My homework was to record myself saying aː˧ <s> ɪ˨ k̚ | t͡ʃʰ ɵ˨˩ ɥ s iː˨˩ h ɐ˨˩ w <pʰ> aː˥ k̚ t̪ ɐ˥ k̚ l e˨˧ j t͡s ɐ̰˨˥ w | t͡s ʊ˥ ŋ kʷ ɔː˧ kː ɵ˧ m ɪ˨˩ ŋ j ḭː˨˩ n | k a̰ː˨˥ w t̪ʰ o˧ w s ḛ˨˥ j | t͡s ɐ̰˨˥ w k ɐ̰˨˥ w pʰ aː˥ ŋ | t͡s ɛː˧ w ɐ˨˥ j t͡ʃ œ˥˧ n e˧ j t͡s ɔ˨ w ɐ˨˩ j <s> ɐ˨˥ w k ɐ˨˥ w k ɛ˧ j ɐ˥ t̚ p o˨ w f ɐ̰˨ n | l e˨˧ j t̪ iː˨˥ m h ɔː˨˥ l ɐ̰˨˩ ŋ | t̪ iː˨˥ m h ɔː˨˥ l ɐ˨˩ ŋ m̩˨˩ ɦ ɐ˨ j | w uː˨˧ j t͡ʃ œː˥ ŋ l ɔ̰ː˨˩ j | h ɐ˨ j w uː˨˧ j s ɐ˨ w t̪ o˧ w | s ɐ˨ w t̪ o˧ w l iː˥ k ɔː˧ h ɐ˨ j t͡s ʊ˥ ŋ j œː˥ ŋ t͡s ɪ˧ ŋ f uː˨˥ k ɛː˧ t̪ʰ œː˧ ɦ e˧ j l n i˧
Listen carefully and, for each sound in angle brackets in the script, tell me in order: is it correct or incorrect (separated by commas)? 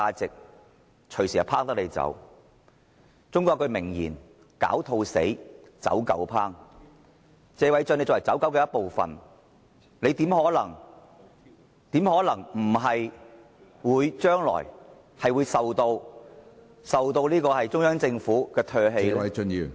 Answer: incorrect, correct, incorrect